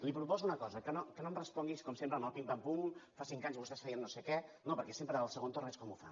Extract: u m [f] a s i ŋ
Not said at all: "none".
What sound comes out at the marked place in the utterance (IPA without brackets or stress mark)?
f